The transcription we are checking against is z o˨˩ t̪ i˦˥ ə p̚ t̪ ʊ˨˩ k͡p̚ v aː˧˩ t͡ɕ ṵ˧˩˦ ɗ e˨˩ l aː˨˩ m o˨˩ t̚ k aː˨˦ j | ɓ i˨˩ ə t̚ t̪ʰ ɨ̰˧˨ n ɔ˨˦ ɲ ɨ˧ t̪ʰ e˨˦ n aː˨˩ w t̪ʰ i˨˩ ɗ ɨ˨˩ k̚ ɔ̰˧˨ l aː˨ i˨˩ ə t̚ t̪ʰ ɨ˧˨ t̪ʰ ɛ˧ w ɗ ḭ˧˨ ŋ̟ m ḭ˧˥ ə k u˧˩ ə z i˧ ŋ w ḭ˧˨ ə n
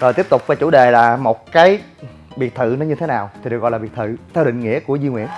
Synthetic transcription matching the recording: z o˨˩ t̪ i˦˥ ə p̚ t̪ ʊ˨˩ k͡p̚ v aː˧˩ t͡ɕ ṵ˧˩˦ ɗ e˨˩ l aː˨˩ m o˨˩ t̚ k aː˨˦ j | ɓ i˨˩ ə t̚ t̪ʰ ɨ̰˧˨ n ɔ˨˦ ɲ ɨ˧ t̪ʰ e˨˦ n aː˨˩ w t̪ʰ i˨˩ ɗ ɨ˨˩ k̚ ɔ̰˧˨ l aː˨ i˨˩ ə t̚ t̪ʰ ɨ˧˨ t̪ʰ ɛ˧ w ɗ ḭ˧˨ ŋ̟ ŋ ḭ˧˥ ə k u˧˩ ə z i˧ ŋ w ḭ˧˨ ə n